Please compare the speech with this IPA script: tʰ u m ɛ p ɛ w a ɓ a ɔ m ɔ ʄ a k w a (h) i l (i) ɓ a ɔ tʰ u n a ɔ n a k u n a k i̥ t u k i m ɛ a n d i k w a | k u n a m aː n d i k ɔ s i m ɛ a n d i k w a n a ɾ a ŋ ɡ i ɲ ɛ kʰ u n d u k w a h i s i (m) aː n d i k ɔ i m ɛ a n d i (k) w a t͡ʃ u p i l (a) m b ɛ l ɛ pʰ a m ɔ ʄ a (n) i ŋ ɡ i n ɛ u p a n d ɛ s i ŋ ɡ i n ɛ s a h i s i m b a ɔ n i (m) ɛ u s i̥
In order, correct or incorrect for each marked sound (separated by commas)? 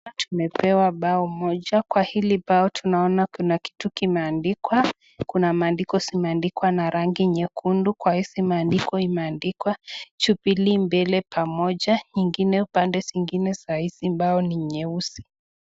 correct, correct, correct, correct, incorrect, incorrect, incorrect